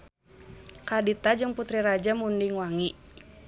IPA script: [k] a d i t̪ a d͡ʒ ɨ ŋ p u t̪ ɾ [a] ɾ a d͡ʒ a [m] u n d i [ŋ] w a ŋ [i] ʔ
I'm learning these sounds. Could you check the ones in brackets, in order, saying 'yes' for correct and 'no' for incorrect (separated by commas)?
yes, no, yes, yes, yes